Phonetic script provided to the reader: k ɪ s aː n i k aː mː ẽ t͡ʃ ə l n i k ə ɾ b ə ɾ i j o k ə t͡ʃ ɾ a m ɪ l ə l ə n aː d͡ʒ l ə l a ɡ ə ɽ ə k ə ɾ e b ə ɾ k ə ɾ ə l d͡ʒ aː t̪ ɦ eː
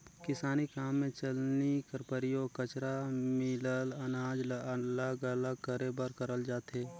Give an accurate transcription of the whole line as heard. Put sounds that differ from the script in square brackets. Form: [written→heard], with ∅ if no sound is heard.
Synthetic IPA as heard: k ɪ s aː n i k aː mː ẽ t͡ʃ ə l n i k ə ɾ [b→p] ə ɾ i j o k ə t͡ʃ ɾ a m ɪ l ə l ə n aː d͡ʒ l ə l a ɡ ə [ɽ→l] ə k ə ɾ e b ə ɾ k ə ɾ ə l d͡ʒ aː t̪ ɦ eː